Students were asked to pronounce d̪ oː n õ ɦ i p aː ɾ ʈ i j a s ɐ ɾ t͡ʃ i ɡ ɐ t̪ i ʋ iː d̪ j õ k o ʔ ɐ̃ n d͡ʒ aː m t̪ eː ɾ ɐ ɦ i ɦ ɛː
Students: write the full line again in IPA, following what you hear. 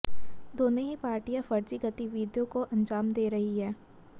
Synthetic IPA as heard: d̪ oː n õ ɦ i p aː ɾ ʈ i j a f ɐ ɾ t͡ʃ i ɡ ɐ t̪ i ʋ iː d̪ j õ k o ʔ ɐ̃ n d͡ʒ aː m d̪ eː ɾ ɐ ɦ i ɦ ɛː